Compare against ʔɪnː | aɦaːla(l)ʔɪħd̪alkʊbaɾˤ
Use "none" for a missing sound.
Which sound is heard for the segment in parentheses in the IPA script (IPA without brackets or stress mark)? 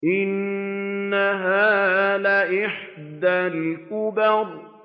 none